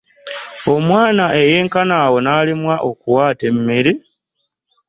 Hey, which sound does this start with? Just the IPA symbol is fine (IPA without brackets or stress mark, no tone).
o̞